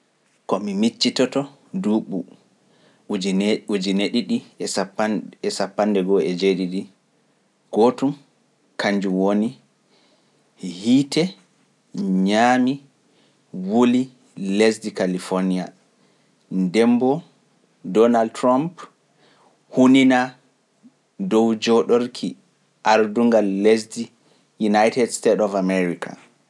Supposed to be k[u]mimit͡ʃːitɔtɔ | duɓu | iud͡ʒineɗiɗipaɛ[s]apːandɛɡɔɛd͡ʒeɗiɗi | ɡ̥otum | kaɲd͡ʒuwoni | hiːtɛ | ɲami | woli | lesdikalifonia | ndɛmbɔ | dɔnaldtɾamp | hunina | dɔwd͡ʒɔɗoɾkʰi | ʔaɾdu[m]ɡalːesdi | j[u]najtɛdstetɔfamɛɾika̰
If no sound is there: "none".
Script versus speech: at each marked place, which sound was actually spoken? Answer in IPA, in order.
ɔ, s, ŋ, u

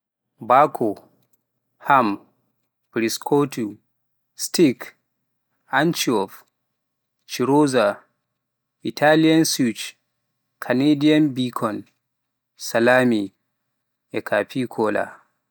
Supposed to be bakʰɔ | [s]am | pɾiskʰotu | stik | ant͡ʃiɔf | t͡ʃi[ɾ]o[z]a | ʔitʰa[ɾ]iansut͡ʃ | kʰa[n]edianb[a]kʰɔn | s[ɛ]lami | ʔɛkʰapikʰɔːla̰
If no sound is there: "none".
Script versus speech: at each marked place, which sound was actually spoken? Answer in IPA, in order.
h, ɾ, z, l, n, i, a

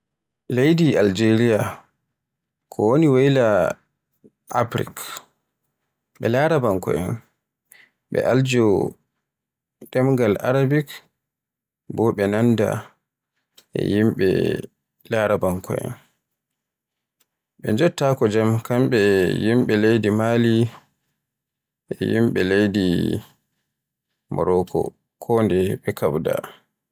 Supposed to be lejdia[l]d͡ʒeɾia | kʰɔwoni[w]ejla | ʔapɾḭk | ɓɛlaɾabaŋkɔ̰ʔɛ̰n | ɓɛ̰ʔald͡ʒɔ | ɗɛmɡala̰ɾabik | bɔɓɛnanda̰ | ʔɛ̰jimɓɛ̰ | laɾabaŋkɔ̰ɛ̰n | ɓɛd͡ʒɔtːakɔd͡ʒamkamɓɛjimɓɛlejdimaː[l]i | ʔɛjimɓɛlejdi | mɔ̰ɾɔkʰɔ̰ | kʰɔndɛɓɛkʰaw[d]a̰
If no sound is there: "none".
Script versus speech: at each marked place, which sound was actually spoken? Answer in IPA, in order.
l, w, l, d

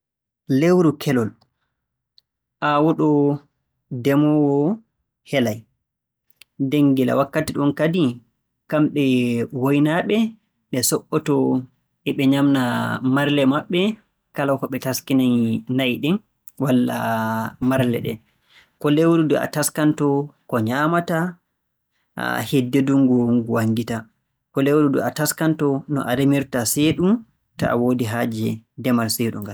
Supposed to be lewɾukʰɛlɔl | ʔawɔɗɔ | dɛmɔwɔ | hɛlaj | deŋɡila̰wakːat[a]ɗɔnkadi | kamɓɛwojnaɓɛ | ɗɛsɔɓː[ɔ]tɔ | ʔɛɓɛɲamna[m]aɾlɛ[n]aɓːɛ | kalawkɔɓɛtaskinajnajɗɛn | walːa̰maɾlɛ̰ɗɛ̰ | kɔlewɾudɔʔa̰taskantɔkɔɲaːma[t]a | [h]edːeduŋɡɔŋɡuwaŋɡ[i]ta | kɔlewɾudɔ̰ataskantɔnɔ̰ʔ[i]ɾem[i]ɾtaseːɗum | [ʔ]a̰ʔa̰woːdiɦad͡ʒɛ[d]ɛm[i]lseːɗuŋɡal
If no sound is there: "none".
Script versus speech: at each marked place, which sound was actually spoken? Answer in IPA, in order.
i, ɔ, m, m, t, h, i, a, i, t, d, a

